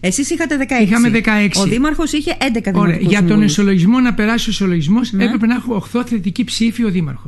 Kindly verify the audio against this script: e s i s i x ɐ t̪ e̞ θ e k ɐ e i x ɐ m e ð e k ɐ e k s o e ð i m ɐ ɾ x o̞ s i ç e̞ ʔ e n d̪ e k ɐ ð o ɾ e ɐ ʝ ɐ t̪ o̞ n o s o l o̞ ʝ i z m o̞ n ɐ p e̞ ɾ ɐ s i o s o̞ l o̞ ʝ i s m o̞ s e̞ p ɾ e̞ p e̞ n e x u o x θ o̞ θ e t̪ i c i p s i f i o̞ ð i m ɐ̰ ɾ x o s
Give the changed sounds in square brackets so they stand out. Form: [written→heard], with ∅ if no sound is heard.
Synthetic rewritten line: e s i s i x ɐ t̪ e̞ [θ→ð] e k ɐ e i x ɐ m e ð e k ɐ e k s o [e→i] ð i m ɐ ɾ x o̞ s i ç e̞ ʔ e n d̪ e k ɐ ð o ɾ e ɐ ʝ ɐ t̪ o̞ n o s o l o̞ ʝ i z m o̞ n ɐ p e̞ ɾ ɐ s i o s o̞ l o̞ ʝ i [s→z] m o̞ s e̞ p ɾ e̞ p e̞ n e x u o x θ o̞ θ e t̪ i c i p s i f i o̞ ð i m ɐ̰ ɾ x o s